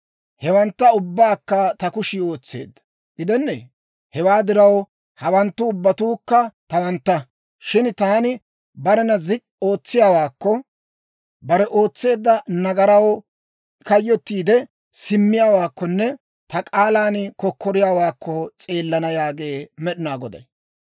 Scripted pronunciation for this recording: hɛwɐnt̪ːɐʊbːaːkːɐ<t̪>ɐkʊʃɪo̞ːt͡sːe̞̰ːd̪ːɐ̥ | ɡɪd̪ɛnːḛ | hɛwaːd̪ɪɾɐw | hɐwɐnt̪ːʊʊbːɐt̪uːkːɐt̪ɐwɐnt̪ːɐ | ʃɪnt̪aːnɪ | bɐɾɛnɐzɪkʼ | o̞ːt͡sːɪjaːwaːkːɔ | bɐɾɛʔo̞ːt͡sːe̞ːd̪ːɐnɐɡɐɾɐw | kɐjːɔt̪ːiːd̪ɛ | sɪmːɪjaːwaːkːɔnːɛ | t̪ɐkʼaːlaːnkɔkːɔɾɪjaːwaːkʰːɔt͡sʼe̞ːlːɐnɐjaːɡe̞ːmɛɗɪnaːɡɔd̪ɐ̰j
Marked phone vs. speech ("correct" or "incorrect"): correct